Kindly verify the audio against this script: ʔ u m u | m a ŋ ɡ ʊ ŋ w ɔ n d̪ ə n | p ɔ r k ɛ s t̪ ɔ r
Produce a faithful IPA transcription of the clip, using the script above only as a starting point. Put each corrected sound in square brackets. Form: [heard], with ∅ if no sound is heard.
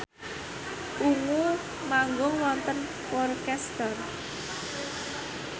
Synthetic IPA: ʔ u [ŋ] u | m a ŋ ɡ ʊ ŋ w ɔ n [t̪] ə n | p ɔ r k ɛ s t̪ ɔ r